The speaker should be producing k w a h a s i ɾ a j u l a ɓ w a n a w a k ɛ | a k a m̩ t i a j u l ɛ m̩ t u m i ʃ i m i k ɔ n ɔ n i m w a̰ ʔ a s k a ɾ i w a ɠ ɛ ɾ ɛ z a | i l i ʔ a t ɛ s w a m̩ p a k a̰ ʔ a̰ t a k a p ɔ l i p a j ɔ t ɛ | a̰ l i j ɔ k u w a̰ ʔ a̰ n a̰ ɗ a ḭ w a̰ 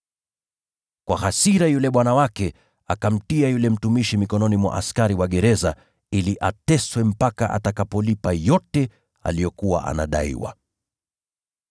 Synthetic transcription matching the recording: k w a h a s i ɾ a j u l ɛ ɓ w a n a w a k ɛ | a k a m̩ t i a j u l ɛ m̩ t u m i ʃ i m i k ɔ n ɔ n i m w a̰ ʔ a s k a ɾ i w a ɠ ɛ ɾ ɛ z a | i l i ʔ a t ɛ s w ɛ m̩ p a k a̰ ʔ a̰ t a k a p ɔ l i p a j ɔ t ɛ | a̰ l i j ɔ k u w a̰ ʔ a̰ n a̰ ɗ a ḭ w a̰

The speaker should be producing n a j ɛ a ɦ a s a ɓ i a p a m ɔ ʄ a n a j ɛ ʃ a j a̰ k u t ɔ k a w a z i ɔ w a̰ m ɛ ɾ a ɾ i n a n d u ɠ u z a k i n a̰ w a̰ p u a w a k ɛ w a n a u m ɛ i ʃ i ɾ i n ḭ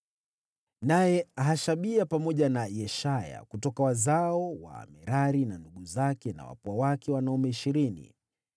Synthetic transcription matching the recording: n a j ɛ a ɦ a ʃ a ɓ i a p a m ɔ ʄ a n a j ɛ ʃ a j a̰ k u t ɔ k a w a z a ɔ w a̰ m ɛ ɾ a ɾ i n a n d u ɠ u z a k ɛ n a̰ w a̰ p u a w a k ɛ w a n a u m ɛ i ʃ i ɾ i n ḭ

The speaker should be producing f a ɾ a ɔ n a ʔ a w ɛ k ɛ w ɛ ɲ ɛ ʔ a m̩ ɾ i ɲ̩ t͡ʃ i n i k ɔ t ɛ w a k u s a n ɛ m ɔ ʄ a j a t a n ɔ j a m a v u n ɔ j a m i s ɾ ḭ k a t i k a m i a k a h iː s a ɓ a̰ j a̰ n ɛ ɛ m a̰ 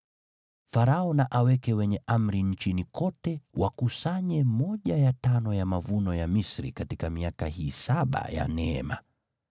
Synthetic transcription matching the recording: f a ɾ a ɔ n a ʔ a w ɛ k ɛ w ɛ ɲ ɛ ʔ a m̩ ɾ i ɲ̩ t͡ʃ i n i k ɔ t ɛ w a k u s a ɲ ɛ m ɔ ʄ a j a t a n ɔ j a m a v u n ɔ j a m i s ɾ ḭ k a t i k a m i a k a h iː s a ɓ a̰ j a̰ n ɛ ɛ m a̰

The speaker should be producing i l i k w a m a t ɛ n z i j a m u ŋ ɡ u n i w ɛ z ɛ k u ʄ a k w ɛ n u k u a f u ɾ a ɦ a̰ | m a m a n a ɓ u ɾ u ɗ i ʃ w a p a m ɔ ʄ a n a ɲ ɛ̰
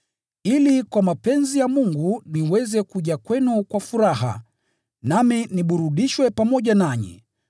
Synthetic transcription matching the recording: i l i k w a m a p ɛ n z i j a m u ŋ ɡ u n i w ɛ z ɛ k u ʄ a k w ɛ n u k w a f u ɾ a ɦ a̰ | n a m i n i ɓ u ɾ u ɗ i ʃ w ɛ p a m ɔ ʄ a n a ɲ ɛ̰

